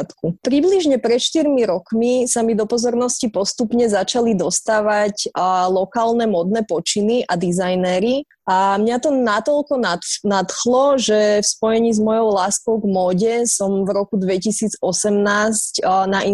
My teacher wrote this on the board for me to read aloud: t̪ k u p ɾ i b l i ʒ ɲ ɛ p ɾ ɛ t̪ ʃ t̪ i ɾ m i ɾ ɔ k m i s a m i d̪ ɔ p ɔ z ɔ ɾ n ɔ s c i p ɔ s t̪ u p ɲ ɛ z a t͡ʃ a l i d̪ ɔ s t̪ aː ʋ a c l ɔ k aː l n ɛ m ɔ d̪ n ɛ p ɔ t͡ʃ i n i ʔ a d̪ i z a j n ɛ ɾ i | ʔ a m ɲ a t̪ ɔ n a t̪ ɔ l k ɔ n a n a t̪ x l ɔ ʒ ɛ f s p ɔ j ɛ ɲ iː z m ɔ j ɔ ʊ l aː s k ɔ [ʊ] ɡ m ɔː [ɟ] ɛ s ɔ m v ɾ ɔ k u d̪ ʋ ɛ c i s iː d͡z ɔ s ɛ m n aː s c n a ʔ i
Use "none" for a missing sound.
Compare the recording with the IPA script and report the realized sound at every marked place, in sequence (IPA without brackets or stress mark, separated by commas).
ʊ, ɟ